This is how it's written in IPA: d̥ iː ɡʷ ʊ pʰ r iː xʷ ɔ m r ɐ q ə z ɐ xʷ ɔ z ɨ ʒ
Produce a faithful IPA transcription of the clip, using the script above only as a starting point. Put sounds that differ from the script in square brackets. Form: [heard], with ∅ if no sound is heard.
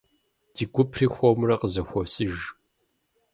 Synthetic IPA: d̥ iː ɡʷ ʊ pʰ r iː xʷ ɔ m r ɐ q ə z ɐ xʷ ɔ [s] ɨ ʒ

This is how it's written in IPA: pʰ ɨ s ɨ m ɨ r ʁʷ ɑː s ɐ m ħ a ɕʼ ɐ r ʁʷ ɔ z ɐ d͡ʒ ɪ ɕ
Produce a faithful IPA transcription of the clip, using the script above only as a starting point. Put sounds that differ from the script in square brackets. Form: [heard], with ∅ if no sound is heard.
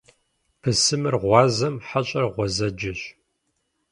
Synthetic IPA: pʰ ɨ s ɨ m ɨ r ʁʷ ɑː [z] ɐ m ħ a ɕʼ ɐ r ʁʷ ɔ z ɐ d͡ʒ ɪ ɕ

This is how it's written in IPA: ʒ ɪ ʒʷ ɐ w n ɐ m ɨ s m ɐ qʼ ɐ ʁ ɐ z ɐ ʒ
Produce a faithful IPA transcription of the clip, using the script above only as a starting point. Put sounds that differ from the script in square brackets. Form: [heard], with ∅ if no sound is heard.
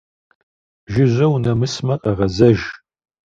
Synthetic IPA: ʒ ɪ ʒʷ ɐ w n ɐ m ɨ s m ɐ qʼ ɐ ʁ ɐ z ɐ ʒ

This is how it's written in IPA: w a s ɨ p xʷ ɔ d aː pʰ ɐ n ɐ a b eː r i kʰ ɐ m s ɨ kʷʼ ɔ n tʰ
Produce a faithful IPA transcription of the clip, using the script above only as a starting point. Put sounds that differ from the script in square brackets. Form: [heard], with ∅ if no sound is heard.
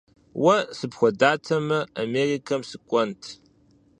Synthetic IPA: w [ɐ] s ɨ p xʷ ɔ d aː [tʰ] ɐ [m] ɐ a [m] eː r i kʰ ɐ m s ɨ kʷʼ ɔ n tʰ

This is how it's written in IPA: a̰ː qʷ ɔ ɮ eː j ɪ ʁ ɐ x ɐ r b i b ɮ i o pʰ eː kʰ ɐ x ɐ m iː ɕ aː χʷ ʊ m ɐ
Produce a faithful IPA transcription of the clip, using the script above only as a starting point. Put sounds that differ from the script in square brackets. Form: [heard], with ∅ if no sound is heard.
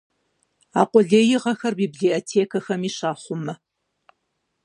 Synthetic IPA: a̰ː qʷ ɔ ɮ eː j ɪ ʁ ɐ x ɐ r b i b ɮ i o [tʰ] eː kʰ ɐ x ɐ m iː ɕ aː χʷ ʊ m ɐ

